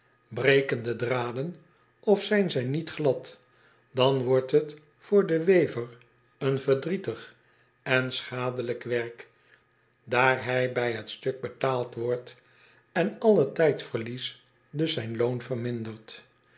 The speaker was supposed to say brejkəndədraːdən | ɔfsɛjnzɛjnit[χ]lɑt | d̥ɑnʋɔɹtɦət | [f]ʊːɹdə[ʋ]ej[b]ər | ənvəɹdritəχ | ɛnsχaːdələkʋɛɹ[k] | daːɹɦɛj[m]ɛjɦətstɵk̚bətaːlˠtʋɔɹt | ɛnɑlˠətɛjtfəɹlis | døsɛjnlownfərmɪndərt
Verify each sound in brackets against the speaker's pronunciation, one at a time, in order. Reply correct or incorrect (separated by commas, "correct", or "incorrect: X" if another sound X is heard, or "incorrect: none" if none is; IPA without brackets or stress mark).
correct, correct, correct, incorrect: v, correct, incorrect: b